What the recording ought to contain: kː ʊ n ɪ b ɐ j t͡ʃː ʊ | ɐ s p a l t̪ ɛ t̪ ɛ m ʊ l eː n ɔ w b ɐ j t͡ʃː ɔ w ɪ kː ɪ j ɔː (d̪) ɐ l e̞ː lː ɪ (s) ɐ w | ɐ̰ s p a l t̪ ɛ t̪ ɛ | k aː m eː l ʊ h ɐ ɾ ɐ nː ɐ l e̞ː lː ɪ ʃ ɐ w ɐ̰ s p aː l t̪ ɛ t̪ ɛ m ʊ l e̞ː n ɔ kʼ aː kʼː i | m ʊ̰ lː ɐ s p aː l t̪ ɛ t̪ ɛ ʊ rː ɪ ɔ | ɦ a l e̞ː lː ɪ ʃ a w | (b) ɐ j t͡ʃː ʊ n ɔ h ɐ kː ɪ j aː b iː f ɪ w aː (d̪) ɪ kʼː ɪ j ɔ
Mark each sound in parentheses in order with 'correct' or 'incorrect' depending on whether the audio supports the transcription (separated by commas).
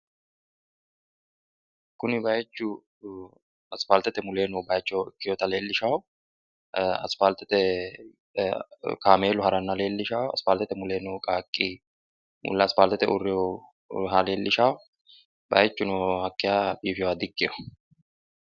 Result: incorrect, incorrect, correct, correct